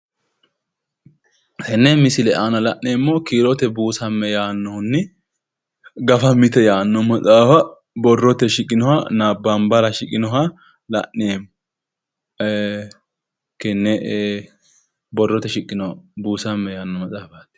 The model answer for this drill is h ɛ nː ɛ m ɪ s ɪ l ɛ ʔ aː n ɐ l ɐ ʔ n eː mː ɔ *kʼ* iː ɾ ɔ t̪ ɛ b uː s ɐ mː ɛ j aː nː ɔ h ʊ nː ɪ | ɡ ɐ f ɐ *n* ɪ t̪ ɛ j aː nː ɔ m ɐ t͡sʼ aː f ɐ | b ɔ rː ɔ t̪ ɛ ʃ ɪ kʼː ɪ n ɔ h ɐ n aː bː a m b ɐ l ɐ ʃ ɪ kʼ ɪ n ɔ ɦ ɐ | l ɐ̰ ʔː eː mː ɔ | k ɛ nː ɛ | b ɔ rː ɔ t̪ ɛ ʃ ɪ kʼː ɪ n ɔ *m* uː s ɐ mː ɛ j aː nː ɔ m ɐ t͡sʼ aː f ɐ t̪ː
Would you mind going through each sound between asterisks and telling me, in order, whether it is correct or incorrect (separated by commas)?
incorrect, incorrect, incorrect